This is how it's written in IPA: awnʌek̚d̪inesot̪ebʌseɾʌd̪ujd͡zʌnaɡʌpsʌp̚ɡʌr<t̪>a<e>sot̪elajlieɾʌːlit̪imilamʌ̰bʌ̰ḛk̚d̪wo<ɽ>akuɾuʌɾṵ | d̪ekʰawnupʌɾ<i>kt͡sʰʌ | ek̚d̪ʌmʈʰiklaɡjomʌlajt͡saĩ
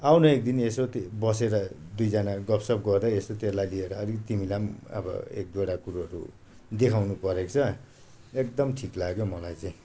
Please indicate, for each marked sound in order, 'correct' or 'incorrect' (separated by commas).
incorrect, correct, correct, incorrect